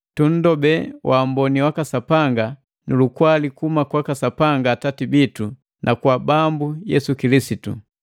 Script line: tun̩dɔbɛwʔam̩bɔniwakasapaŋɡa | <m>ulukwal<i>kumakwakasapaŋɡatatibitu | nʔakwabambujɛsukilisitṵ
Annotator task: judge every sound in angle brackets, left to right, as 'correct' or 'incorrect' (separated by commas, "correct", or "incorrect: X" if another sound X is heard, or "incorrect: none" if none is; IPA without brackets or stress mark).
incorrect: n, correct